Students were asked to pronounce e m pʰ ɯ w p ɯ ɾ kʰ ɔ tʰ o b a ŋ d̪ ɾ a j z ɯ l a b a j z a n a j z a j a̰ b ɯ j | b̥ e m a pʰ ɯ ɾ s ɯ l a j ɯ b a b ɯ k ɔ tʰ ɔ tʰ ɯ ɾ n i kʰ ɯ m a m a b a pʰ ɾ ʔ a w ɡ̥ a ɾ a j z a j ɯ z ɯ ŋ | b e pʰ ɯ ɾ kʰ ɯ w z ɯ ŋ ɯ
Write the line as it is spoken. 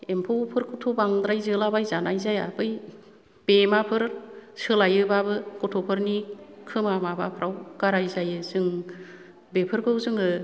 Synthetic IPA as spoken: e m pʰ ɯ w pʰ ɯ ɾ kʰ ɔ tʰ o b a ŋ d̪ ɾ a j z ɯ l a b a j z a n a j z a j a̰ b ɯ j | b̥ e m a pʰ ɯ ɾ s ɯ l a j ɯ b a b ɯ k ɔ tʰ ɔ pʰ ɯ ɾ n i kʰ ɯ m a m a b a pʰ ɾ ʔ a w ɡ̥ a ɾ a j z a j ɯ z ɯ ŋ | b e pʰ ɯ ɾ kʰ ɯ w z ɯ ŋ ɯ